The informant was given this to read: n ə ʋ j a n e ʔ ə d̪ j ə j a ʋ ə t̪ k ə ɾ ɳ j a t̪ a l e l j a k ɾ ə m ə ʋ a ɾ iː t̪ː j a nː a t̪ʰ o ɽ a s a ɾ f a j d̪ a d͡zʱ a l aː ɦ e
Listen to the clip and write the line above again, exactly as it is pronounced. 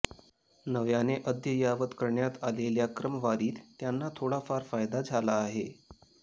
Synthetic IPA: n ə ʋ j a n e ʔ ə d̪ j ə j a ʋ ə t̪ k ə ɾ ɳ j a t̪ a l e l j a k ɾ ə m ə ʋ a ɾ iː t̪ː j a nː a t̪ʰ o ɽ a f a ɾ f a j d̪ a d͡zʱ a l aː ɦ e